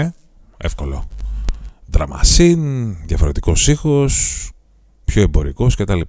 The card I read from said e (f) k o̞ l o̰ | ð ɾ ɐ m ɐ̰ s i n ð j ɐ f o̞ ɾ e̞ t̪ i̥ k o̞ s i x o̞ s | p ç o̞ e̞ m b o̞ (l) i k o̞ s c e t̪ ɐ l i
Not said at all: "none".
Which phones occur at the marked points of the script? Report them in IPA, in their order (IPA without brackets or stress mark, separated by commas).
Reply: f, ɾ